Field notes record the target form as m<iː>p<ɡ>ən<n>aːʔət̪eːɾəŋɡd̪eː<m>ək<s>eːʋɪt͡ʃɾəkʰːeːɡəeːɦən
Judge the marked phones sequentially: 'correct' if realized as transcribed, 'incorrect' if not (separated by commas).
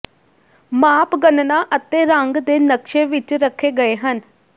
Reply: incorrect, correct, correct, incorrect, incorrect